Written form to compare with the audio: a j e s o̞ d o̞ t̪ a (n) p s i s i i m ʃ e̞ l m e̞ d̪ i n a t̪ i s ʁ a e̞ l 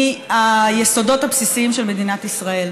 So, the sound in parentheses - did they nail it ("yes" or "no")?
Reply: no